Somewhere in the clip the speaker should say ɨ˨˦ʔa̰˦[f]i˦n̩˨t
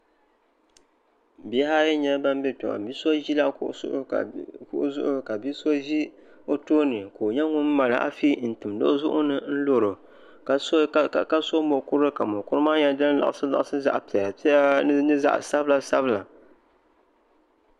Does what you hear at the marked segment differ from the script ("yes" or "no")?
no